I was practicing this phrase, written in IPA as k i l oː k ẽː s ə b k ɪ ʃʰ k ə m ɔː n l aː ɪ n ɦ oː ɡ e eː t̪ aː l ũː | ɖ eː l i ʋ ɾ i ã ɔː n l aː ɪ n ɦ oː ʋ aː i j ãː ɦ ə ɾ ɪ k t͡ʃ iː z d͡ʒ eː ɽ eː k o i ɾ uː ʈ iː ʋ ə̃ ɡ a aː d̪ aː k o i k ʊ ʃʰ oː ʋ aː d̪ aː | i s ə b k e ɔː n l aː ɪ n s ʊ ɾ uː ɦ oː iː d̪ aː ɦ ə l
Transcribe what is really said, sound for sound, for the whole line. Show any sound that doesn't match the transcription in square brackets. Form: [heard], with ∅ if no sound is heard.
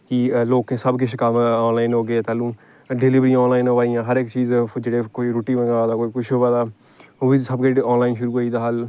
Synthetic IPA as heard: k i l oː k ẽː s ə b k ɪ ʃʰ k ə m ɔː n l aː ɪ n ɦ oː ɡ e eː t̪ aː l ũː | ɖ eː l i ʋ ɾ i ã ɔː n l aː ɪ n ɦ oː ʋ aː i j ãː ɦ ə ɾ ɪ k t͡ʃ iː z d͡ʒ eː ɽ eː k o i ɾ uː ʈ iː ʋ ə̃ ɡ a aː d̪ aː k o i k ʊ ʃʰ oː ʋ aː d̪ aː | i s ə b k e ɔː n l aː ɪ n [ʃ] ʊ ɾ uː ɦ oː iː d̪ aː ɦ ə l